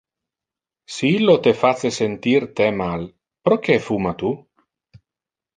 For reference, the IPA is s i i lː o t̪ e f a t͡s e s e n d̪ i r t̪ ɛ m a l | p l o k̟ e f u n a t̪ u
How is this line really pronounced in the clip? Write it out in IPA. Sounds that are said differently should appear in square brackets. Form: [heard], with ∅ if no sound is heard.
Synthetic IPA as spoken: s i i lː o t̪ e f a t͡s e s e n [t̪] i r t̪ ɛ m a l | p [ɾ] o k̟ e f u [m] a t̪ u